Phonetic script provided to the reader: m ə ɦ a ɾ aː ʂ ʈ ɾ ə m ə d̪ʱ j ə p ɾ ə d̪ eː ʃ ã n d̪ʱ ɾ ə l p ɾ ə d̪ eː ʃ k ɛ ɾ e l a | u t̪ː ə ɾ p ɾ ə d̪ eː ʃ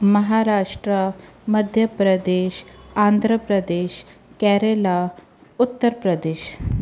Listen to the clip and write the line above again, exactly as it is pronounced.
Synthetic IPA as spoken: m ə ɦ a ɾ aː ʂ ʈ ɾ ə m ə d̪ʱ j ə p ɾ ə d̪ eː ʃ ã n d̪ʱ ɾ ə p ɾ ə d̪ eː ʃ k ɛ ɾ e l a | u t̪ː ə ɾ p ɾ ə d̪ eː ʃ